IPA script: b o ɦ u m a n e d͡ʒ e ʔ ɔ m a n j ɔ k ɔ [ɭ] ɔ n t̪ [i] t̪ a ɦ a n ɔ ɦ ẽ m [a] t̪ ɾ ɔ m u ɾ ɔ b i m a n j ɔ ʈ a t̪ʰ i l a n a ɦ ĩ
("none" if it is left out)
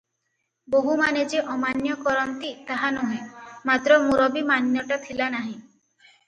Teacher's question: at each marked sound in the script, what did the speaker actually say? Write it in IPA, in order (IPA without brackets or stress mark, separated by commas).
ɾ, i, a